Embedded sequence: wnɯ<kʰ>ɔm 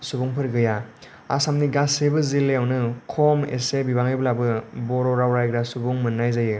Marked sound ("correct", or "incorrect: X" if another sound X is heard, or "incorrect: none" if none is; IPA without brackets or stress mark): correct